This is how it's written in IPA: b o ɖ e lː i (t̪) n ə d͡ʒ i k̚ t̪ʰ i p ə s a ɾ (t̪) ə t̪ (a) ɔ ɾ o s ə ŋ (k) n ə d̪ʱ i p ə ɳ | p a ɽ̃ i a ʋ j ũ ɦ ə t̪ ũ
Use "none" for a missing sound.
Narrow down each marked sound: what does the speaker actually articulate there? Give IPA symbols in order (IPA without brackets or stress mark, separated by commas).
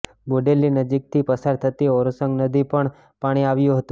none, t̪ʰ, i, ɡ